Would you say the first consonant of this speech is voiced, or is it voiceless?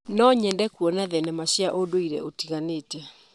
voiced